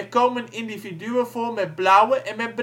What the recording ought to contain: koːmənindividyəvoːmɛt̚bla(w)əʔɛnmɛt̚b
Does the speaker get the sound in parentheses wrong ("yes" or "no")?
no